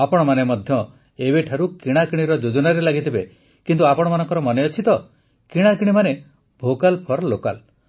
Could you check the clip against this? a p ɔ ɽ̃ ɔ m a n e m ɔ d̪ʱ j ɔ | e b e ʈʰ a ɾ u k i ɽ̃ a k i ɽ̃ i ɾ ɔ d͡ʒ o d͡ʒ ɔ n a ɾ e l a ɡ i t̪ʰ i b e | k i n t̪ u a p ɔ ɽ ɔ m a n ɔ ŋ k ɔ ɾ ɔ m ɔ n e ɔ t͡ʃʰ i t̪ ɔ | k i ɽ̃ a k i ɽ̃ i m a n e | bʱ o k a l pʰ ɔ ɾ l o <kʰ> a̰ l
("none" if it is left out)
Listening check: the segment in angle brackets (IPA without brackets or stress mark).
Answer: k